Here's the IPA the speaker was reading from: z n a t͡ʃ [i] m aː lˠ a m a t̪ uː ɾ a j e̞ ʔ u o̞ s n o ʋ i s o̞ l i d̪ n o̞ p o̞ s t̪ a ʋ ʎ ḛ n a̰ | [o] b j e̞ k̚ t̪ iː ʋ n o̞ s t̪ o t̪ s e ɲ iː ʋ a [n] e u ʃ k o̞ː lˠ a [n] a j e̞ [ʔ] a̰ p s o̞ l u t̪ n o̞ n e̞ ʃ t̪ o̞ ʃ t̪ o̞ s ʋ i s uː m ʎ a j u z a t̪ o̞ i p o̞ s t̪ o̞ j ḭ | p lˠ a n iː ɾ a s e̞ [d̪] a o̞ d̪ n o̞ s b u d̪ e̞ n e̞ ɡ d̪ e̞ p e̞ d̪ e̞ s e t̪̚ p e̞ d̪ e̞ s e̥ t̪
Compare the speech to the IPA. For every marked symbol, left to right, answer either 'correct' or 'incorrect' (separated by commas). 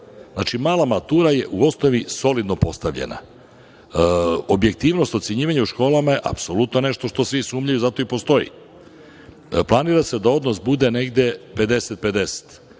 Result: correct, correct, incorrect, incorrect, correct, correct